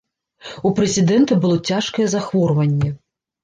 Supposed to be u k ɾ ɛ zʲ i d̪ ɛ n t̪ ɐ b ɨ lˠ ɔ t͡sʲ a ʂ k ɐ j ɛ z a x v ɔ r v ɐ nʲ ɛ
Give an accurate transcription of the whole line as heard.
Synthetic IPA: u p ɾ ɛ zʲ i d̪ ɛ n t̪ ɐ b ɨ lˠ ɔ t͡sʲ a ʂ k ɐ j ɛ z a x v ɔ r v ɐ nʲː ɛ